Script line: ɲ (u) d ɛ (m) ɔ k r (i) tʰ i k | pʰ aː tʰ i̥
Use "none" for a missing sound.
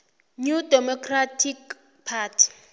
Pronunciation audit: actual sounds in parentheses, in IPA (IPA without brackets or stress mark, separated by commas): u, m, a